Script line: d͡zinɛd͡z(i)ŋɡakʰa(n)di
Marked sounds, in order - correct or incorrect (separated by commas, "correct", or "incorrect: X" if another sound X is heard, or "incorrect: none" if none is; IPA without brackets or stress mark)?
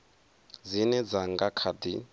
incorrect: a, incorrect: none